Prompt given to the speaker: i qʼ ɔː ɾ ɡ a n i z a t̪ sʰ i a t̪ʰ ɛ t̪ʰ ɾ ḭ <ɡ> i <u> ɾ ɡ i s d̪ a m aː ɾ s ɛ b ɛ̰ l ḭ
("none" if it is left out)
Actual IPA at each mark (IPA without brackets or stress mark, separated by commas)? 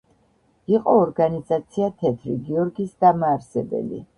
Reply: ɡ, ɔ